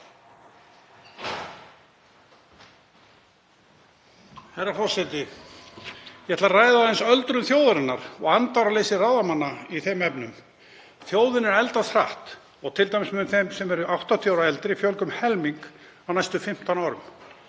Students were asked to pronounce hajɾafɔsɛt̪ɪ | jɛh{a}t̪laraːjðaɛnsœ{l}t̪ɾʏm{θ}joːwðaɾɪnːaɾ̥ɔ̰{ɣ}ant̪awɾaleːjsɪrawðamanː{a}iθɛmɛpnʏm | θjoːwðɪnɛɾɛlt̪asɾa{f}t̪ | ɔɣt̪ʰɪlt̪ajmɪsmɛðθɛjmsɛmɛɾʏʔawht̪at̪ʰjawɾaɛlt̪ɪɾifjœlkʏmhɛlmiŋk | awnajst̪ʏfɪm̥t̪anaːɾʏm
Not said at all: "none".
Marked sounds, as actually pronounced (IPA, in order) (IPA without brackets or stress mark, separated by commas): ɛ, l, θ, ɣ, a, h